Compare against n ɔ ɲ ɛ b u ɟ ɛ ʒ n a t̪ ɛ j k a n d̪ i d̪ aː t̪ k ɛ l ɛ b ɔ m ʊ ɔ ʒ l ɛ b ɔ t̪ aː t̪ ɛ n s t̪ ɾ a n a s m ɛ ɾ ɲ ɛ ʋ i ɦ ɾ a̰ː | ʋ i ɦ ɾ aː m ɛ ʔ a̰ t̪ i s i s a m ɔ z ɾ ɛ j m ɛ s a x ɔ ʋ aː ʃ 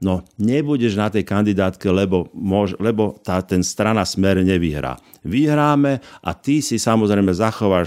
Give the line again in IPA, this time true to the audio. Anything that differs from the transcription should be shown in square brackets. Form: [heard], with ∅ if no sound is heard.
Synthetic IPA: n ɔ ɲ ɛ b u ɟ ɛ ʒ n a t̪ ɛ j k a n d̪ i d̪ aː t̪ k ɛ l ɛ b ɔ m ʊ ɔ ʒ l ɛ b ɔ t̪ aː t̪ ɛ n s t̪ ɾ a n a s m ɛ ɾ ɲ ɛ ʋ i ɦ ɾ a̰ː | ʋ i ɦ ɾ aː m ɛ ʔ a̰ t̪ i s i s a m ɔ z ɾ ɛ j m ɛ [z] a x ɔ ʋ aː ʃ